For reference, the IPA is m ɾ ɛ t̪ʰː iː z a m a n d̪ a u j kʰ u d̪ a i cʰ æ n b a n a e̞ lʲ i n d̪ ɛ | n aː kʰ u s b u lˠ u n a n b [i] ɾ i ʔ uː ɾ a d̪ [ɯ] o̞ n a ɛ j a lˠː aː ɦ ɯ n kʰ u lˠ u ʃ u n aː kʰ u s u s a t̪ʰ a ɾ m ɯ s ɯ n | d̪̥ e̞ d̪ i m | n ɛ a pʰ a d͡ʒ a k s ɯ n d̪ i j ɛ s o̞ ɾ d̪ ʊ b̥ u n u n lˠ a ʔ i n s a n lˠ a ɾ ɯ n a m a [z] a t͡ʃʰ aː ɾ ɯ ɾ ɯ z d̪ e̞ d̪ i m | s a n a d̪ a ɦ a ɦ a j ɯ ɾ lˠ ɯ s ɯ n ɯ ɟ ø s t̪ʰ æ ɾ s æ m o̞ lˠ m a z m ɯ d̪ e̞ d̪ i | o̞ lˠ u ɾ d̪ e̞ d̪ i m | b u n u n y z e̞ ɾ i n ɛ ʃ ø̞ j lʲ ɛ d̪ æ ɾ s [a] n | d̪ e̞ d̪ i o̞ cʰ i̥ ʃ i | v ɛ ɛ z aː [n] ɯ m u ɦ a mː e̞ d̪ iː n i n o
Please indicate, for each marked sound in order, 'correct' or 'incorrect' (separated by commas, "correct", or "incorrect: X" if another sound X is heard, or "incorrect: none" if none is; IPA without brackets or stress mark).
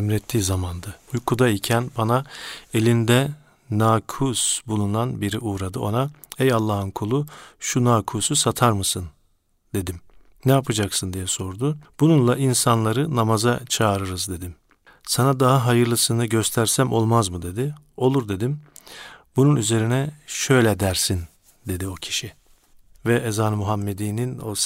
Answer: correct, correct, correct, incorrect: i, correct